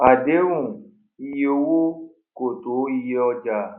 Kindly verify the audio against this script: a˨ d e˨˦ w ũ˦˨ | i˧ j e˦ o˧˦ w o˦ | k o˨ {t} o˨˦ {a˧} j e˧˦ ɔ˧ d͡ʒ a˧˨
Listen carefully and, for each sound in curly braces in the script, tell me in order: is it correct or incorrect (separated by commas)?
correct, incorrect